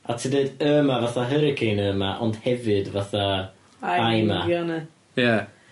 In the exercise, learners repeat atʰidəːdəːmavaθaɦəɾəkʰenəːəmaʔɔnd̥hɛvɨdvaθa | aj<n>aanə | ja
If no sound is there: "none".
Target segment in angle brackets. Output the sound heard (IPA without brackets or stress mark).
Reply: m